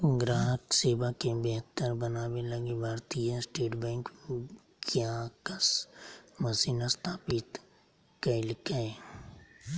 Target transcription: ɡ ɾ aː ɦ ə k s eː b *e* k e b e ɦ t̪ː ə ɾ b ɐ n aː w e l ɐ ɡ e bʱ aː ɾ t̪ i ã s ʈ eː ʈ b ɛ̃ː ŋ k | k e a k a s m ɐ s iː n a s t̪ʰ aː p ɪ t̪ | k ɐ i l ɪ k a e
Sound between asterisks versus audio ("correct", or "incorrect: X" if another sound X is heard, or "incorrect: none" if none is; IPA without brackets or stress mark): incorrect: a